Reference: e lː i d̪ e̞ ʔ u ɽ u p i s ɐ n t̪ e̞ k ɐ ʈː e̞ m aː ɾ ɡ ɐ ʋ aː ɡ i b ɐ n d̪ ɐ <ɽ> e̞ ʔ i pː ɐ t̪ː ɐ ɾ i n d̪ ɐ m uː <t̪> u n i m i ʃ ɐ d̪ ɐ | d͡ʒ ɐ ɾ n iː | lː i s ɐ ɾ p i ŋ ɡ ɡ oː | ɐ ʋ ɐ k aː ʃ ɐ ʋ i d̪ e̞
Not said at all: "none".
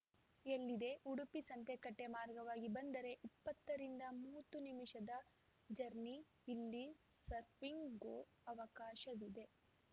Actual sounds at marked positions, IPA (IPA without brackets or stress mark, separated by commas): ɾ, t̪